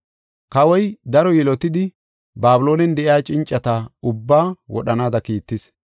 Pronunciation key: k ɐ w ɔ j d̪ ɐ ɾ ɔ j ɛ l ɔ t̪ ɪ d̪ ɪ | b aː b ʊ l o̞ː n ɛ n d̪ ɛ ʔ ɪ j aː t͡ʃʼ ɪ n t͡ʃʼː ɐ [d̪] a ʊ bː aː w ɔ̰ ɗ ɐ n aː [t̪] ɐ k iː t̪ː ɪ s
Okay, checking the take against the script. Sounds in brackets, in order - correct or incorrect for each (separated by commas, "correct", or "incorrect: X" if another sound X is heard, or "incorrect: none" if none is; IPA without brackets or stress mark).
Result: incorrect: t̪, incorrect: d̪